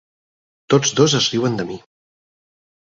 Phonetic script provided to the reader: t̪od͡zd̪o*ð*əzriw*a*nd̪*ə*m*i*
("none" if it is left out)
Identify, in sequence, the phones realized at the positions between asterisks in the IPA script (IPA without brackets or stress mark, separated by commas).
z, ə, ə, i